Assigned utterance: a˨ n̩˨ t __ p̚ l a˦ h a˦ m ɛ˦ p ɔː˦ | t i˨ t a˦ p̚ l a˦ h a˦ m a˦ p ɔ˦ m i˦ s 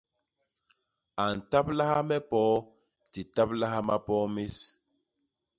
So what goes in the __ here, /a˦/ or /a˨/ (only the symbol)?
a˦